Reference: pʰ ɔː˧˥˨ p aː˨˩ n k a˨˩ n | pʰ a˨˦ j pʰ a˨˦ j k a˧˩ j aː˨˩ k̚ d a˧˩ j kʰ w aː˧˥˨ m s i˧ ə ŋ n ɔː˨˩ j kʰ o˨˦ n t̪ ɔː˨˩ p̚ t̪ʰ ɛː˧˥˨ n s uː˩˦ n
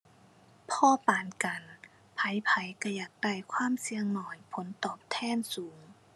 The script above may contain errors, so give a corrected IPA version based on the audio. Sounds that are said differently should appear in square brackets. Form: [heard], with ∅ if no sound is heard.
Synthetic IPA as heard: pʰ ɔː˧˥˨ p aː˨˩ n k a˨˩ n | pʰ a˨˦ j pʰ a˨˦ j k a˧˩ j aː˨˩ k̚ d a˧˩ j kʰ w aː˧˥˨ m s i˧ ə ŋ n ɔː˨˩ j [pʰ] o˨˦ n t̪ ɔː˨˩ p̚ t̪ʰ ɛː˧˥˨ n s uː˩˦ [ŋ]